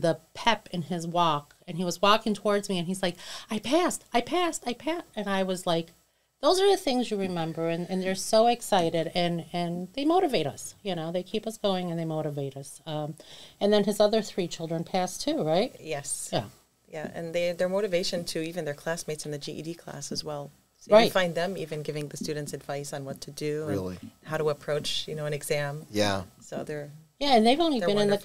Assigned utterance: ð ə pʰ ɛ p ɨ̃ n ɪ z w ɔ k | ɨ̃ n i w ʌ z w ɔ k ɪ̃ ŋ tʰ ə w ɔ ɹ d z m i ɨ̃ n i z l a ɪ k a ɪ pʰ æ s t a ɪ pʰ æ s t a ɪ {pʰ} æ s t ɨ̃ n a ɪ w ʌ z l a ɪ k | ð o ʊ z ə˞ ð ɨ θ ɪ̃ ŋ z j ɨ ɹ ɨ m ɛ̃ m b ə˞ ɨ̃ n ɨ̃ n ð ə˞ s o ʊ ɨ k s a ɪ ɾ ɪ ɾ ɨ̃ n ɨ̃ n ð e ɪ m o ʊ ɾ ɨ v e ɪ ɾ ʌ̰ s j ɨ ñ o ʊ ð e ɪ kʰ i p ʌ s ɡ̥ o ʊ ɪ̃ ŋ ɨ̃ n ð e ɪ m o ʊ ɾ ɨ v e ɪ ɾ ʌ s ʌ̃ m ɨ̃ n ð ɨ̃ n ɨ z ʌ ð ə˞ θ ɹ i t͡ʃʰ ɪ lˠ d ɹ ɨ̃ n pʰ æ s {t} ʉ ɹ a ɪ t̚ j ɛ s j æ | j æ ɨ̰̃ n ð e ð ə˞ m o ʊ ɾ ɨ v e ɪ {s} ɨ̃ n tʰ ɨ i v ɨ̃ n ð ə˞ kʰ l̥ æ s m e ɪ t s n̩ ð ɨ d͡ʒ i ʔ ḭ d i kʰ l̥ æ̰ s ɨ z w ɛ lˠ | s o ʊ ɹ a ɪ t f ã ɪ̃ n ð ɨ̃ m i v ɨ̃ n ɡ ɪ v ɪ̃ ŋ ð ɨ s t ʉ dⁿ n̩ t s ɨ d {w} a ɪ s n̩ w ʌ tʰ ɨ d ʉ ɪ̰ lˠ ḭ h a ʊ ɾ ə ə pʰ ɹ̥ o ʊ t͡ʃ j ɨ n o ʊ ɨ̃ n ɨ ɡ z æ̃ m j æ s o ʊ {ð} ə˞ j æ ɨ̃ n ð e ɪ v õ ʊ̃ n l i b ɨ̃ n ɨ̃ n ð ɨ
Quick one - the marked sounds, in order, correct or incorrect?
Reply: correct, incorrect, incorrect, incorrect, correct

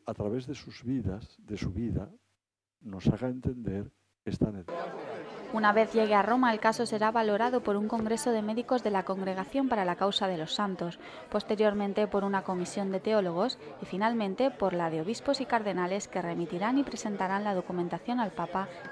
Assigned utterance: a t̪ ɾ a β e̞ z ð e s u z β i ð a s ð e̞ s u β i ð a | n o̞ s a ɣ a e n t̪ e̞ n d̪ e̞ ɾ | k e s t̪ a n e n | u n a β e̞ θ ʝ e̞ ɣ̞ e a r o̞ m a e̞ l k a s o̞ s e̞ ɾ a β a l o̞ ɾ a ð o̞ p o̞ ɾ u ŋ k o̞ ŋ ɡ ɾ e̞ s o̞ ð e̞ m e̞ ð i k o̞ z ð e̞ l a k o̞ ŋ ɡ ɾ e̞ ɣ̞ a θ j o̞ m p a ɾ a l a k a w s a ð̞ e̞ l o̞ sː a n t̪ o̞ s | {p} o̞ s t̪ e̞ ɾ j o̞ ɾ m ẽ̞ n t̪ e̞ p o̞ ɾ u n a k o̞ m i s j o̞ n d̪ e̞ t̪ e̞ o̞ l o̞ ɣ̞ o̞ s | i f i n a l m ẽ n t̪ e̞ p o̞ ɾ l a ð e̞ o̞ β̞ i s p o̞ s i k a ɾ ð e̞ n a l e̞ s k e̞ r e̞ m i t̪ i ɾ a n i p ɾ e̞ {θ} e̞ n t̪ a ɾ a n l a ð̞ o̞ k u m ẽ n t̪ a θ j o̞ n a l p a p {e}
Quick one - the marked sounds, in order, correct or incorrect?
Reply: correct, incorrect, incorrect

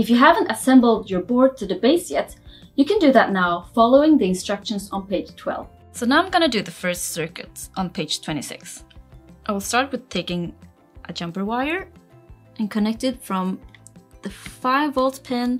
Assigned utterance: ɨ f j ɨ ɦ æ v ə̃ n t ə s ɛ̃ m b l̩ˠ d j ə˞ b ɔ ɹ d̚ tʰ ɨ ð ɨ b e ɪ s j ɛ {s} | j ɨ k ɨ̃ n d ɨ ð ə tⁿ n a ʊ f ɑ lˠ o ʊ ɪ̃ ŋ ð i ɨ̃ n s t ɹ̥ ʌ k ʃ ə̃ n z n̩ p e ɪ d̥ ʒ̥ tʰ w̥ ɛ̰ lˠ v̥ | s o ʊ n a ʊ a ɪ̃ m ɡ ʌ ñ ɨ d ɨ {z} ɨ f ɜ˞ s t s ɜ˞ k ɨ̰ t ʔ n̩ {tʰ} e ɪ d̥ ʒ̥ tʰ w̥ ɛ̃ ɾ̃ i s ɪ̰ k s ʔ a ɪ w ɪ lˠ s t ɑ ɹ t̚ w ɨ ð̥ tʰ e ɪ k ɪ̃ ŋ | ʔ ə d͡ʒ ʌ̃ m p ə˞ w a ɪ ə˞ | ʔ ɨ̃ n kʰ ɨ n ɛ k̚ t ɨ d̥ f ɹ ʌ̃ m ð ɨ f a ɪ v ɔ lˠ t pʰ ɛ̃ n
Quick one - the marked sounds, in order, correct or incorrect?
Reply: incorrect, incorrect, incorrect

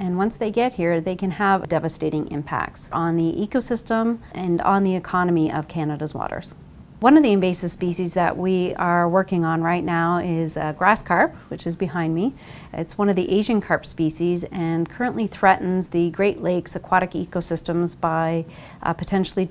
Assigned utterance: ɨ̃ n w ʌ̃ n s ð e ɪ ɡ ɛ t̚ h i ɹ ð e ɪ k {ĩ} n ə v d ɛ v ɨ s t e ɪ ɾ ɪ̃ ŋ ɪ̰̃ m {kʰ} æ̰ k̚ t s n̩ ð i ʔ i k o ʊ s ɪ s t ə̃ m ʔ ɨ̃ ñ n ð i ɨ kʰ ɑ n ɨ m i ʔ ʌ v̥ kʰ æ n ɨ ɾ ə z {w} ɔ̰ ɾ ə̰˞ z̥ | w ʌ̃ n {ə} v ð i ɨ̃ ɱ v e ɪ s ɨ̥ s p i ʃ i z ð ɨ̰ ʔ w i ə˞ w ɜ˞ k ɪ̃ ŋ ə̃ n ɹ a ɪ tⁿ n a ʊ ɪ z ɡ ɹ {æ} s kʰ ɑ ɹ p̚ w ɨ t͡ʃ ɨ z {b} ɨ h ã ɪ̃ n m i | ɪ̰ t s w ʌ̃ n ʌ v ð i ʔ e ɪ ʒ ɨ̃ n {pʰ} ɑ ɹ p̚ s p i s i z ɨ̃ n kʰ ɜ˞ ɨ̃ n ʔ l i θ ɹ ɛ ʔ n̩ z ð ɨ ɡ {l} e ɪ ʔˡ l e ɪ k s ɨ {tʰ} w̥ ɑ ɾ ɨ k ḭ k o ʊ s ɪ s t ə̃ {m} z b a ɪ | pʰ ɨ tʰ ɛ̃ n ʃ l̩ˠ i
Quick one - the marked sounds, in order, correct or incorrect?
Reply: incorrect, incorrect, correct, incorrect, correct, correct, incorrect, incorrect, incorrect, correct

